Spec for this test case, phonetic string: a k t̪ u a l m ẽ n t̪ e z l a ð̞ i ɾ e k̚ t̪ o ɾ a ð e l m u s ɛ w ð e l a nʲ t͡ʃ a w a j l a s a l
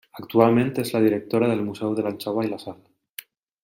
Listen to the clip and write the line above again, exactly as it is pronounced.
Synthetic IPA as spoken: a k t̪ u a l m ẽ n t̪ e z l a ð̞ i ɾ e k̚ t̪ o ɾ a ð e l m u s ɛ w ð e l a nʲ t͡ʃ a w a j l a s a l